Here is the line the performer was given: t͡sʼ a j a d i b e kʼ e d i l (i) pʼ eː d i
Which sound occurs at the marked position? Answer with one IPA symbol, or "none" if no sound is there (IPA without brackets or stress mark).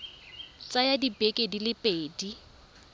ɪ